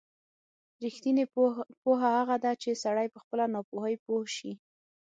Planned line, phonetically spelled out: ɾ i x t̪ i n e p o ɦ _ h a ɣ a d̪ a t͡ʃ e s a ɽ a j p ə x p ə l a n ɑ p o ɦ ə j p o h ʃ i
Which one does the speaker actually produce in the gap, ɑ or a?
a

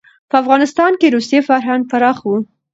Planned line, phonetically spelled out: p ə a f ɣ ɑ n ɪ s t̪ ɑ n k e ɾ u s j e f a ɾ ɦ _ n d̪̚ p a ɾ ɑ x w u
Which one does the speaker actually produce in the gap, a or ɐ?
a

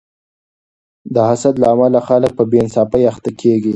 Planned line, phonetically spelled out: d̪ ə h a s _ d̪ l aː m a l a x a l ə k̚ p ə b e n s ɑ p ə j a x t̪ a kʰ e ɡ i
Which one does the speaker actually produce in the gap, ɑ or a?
a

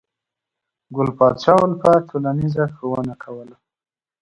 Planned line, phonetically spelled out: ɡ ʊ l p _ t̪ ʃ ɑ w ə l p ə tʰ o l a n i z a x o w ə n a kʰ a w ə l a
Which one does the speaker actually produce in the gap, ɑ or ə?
ɑ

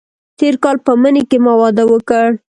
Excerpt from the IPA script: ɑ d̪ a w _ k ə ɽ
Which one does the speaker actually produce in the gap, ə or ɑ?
ə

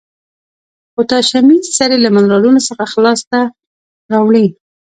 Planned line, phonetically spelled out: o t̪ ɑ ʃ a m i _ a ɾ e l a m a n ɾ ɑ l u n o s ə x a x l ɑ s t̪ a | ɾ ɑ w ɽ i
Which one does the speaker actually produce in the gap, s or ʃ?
s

